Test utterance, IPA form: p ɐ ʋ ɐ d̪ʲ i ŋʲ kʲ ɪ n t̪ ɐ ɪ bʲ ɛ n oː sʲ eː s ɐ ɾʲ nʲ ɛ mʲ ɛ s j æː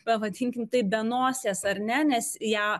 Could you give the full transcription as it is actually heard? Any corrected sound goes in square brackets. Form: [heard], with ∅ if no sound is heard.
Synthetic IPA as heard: p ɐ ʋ ɐ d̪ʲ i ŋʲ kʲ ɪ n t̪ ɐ ɪ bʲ ɛ n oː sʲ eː s ɐ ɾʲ nʲ ɛ [nʲ] ɛ s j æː